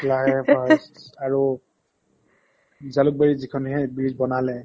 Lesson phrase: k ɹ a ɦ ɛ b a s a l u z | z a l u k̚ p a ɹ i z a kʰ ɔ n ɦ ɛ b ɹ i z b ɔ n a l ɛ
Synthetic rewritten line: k l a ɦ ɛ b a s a ɹ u | z a l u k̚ b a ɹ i z i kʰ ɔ n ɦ ɛ b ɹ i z b ɔ n a l ɛ